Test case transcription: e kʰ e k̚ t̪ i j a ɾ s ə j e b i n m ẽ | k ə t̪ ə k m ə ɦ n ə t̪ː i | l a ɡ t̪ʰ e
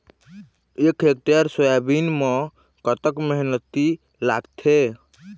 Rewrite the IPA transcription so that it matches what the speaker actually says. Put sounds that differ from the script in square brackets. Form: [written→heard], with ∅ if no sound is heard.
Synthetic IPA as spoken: e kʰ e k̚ t̪ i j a ɾ s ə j [e→a] b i n m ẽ | k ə t̪ ə k m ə ɦ n ə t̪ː i | l a ɡ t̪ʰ e